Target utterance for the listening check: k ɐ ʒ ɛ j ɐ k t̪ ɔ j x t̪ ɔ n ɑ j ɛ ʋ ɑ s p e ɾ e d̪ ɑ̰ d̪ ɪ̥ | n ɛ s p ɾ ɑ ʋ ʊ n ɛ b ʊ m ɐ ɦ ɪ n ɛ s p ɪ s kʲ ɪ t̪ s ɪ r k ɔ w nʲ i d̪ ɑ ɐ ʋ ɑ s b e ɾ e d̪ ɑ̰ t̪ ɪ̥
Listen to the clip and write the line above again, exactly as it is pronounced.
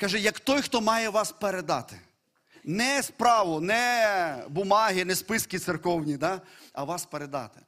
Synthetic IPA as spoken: k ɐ ʒ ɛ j ɐ k t̪ ɔ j x t̪ ɔ m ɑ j ɛ ʋ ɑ s p e ɾ e d̪ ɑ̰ t̪ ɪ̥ | n ɛ s p ɾ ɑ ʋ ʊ n ɛ b ʊ m ɑ ɦ ɪ n ɛ s p ɪ s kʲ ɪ t̪ s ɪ r k ɔ w nʲ i d̪ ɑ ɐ ʋ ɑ s p e ɾ e d̪ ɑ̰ t̪ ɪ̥